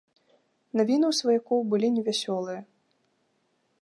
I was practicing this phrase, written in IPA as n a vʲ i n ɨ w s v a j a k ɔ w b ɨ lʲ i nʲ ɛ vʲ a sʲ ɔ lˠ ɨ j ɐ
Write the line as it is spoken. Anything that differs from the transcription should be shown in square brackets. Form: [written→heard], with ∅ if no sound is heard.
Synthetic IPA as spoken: n a vʲ i n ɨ w s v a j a k ɔ w b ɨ lʲ i nʲ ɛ vʲ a sʲ ɔ lˠ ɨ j ɐ